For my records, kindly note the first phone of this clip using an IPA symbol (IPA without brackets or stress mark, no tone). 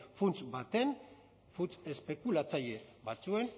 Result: f